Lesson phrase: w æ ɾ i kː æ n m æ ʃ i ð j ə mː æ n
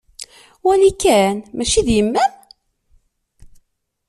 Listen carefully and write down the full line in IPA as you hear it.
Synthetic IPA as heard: w æ l i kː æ n m æ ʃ i ð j ə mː æ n